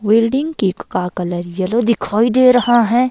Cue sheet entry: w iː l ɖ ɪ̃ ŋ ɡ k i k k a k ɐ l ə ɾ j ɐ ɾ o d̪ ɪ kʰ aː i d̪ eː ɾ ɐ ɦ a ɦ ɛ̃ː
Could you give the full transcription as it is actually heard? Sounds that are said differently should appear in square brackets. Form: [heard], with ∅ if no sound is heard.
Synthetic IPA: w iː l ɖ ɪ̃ ŋ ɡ k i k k a k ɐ l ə ɾ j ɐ [l] o d̪ ɪ kʰ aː i d̪ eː ɾ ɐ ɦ a ɦ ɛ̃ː

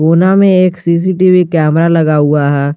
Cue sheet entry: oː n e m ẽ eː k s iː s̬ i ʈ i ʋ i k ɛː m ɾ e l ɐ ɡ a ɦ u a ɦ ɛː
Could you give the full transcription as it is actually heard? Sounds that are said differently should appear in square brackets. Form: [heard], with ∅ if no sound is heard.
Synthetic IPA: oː n [a] m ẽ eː k s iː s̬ i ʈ i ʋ i k ɛː m ɾ [a] l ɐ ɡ a ɦ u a ɦ ɛː

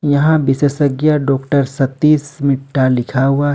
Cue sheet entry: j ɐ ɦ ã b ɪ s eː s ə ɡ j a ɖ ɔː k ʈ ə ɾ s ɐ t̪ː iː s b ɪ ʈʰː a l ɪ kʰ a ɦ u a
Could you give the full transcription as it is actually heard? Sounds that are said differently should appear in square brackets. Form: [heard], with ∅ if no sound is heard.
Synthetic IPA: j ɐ ɦ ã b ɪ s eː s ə ɡ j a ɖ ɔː k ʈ ə ɾ s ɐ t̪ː iː s [m] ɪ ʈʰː a l ɪ kʰ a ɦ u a

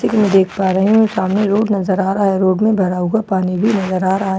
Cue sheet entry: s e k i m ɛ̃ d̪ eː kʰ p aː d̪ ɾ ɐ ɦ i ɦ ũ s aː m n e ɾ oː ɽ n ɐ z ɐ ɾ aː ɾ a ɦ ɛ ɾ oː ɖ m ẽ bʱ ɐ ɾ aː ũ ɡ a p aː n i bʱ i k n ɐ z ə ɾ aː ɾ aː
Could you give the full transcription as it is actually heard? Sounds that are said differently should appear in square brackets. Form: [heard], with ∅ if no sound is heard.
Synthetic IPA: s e k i m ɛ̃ d̪ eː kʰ p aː [∅] ɾ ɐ ɦ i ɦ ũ s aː m n e ɾ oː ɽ n ɐ z [ə] ɾ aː ɾ a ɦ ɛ ɾ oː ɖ m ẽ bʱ ɐ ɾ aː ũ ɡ a p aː n i bʱ i [∅] n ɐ z ə ɾ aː ɾ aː

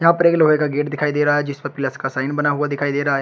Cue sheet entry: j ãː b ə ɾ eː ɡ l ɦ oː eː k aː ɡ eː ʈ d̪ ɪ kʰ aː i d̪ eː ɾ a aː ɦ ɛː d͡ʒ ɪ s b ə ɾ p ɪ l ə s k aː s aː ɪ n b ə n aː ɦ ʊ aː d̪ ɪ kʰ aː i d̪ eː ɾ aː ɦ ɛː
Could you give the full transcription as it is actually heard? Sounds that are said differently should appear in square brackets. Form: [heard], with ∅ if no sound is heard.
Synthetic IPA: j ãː [p] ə ɾ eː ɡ l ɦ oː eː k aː ɡ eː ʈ d̪ ɪ kʰ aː i d̪ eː ɾ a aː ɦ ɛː d͡ʒ ɪ s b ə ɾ p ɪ l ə s k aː s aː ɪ n b ə n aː ɦ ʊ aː d̪ ɪ kʰ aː i d̪ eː ɾ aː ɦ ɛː

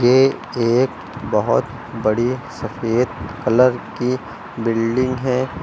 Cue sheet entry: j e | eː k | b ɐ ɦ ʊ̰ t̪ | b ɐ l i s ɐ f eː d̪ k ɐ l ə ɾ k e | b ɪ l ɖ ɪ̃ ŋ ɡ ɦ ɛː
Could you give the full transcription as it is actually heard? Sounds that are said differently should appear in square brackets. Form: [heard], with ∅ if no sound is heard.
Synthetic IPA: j e | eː k | b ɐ ɦ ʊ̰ t̪ | b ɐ [ɽ] i s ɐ f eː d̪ k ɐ l ə ɾ k [i] | b ɪ l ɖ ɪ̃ ŋ ɡ ɦ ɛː

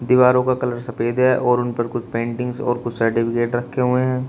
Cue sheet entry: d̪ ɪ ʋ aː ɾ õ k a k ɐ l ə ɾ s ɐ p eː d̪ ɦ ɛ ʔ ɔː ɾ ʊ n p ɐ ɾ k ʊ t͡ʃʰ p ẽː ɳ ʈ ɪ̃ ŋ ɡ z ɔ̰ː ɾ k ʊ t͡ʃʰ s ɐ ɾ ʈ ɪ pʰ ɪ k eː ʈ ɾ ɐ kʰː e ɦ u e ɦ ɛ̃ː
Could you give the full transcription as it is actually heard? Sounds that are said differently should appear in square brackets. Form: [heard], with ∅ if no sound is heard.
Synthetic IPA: d̪ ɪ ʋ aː ɾ õ k a k ɐ l ə ɾ s ɐ p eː d̪ ɦ ɛ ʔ ɔː ɾ ʊ n p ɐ ɾ k ʊ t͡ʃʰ p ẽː ɳ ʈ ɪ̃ ŋ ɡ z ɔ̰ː ɾ k ʊ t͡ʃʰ s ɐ ɾ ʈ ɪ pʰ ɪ k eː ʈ ɾ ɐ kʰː e ɦ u e ɦ ɛ̃ː

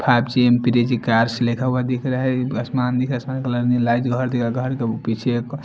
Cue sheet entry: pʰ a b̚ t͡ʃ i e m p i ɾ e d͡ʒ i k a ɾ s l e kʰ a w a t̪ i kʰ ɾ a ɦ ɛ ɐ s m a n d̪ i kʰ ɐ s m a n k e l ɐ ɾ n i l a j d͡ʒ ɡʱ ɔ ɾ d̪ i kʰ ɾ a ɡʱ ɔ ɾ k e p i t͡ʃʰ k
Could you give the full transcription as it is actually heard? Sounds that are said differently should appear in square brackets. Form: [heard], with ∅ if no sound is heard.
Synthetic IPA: pʰ a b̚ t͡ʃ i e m p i ɾ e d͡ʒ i k a ɾ s l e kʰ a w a [d̪] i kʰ ɾ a ɦ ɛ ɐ s m a n d̪ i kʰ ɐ s m a n k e l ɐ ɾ n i l a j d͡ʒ ɡʱ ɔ ɾ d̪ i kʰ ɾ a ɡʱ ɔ ɾ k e p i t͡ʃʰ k

